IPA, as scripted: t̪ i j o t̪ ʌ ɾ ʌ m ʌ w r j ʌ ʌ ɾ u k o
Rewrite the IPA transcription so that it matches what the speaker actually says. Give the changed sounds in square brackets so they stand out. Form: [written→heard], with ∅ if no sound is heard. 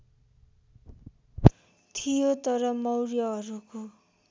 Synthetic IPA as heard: [t̪→t̪ʰ] i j o t̪ ʌ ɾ ʌ m ʌ w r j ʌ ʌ ɾ u k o